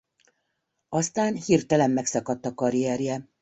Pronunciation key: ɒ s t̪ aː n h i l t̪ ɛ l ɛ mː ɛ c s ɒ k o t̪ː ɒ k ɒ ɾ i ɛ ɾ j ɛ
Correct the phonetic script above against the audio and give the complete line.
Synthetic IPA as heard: ɒ s t̪ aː n h i r t̪ ɛ l ɛ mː ɛ k s ɒ k ɒ t̪ː ɒ k ɒ ɾ i ɛ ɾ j ɛ